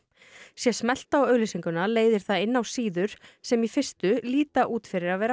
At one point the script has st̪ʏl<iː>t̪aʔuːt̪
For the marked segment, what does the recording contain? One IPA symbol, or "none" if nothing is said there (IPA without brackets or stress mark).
iː